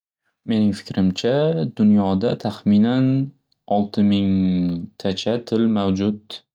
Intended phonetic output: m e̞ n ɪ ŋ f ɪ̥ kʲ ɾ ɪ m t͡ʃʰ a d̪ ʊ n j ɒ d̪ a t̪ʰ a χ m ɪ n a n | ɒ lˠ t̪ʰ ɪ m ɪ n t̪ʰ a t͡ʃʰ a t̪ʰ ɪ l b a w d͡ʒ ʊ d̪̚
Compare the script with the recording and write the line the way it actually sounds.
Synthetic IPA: m e̞ n ɪ ŋ f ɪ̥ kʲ ɾ ɪ m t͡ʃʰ a d̪ ʊ n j ɒ d̪ a t̪ʰ a χ m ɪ n a n | ɒ lˠ t̪ʰ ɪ m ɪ ŋ t̪ʰ a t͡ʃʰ a t̪ʰ ɪ l m a w d͡ʒ ʊ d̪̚